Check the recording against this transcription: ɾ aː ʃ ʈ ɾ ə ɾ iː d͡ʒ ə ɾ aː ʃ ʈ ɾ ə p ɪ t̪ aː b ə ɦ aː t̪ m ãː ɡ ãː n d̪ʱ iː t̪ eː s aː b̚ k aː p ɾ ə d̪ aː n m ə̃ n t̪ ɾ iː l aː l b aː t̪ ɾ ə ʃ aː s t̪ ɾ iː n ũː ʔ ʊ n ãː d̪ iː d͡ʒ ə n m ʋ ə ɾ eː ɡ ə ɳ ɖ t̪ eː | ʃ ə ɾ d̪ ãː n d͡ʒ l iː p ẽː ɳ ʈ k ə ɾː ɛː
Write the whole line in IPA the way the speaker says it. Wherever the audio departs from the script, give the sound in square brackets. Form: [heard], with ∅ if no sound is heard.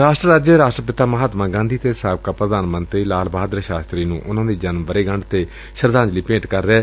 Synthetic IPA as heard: ɾ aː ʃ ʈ ɾ ə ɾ [aː] d͡ʒ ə ɾ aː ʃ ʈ ɾ ə p ɪ t̪ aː [m] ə ɦ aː t̪ m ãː ɡ ãː n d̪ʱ iː t̪ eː s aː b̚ k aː p ɾ ə d̪ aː n m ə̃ n t̪ ɾ iː l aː l b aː [d̪] ɾ ə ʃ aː s t̪ ɾ iː n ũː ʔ ʊ n ãː d̪ iː d͡ʒ ə n m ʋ ə ɾ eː ɡ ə ɳ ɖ t̪ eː | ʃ ə ɾ d̪ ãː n d͡ʒ l iː p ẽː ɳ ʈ k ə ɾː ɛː

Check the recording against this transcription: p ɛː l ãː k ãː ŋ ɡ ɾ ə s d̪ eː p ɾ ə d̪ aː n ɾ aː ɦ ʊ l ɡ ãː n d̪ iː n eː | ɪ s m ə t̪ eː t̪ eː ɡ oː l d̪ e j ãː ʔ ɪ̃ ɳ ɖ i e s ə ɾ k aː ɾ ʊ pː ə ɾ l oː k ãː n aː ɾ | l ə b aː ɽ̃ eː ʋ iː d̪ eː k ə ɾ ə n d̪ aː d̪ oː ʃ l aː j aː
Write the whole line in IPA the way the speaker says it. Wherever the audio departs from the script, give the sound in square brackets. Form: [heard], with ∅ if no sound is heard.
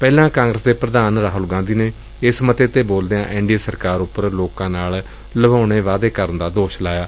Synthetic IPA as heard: p ɛː l ãː k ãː ŋ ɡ ɾ ə s d̪ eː p ɾ ə d̪ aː n ɾ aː ɦ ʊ l ɡ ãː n d̪ iː n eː | ɪ s m ə t̪ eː t̪ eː [b] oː l d̪ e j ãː ʔ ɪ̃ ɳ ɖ i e s ə ɾ k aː ɾ ʊ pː ə ɾ l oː k ãː n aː [l] | l ə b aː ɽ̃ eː ʋ [aː] d̪ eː k ə ɾ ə n d̪ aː d̪ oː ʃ l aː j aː

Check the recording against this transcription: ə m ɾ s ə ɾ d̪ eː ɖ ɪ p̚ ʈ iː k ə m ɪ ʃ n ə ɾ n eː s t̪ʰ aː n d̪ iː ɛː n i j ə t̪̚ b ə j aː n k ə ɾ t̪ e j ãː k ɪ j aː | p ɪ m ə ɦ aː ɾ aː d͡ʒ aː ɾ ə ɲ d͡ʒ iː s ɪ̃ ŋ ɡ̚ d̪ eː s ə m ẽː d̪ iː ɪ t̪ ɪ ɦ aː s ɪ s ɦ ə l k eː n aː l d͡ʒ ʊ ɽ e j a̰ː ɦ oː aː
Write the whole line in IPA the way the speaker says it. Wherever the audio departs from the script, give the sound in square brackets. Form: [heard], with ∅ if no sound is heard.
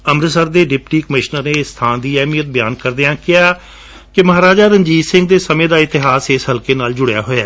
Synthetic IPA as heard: ə m ɾ s ə ɾ d̪ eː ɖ ɪ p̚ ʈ iː k ə m ɪ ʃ n ə ɾ n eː s t̪ʰ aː n d̪ iː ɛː [m] i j ə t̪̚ b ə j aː n k ə ɾ [d̪] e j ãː k ɪ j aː | [k] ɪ m ə ɦ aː ɾ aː d͡ʒ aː ɾ ə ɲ d͡ʒ iː s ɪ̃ ŋ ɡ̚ d̪ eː s ə m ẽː d̪ [aː] ɪ t̪ ɪ ɦ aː s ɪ s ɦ ə l k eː n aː l d͡ʒ ʊ ɽ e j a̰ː ɦ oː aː

